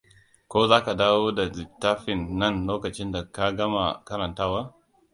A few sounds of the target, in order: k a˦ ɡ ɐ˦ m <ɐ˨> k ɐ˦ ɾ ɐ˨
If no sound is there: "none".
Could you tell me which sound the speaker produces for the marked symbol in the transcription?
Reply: a˨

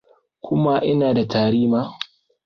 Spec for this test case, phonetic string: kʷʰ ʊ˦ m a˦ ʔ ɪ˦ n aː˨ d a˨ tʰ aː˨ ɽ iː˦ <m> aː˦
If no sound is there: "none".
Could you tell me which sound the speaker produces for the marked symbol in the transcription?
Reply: m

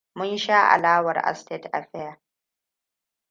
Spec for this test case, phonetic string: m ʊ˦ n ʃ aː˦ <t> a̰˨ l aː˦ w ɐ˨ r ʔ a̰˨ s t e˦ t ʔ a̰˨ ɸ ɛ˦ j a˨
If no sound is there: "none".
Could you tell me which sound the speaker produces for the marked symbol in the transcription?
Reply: ʔ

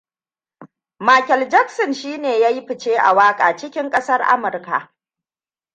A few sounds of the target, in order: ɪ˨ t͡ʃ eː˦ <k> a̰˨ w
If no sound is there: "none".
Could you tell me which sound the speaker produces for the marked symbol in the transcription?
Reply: ʔ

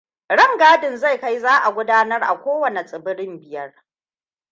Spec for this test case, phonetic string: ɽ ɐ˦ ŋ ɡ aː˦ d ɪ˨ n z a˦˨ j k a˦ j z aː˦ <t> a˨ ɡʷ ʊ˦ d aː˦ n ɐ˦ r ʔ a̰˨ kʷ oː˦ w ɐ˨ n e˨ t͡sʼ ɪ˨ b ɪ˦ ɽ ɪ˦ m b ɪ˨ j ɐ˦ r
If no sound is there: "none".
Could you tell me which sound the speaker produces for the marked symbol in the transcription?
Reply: ʔ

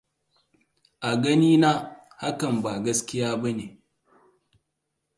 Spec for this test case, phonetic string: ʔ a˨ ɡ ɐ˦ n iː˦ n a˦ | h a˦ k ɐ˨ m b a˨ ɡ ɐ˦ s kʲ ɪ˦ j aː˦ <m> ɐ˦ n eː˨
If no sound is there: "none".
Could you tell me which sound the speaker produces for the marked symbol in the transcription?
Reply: b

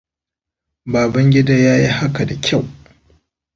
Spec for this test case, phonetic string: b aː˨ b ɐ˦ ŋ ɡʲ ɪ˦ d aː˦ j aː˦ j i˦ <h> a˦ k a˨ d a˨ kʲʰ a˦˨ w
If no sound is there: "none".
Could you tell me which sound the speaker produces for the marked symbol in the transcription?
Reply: h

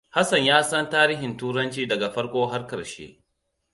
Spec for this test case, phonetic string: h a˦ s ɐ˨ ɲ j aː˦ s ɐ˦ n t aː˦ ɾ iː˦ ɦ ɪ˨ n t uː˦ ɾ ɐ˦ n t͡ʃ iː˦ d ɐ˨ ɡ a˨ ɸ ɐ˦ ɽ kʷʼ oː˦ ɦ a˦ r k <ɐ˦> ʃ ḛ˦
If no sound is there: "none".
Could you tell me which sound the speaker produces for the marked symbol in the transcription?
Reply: ɐ˨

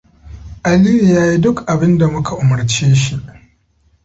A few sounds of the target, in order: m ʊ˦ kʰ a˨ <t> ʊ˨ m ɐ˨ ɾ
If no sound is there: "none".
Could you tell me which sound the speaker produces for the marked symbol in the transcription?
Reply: ʔ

